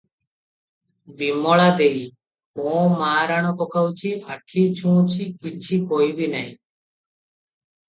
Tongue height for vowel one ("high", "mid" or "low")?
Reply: high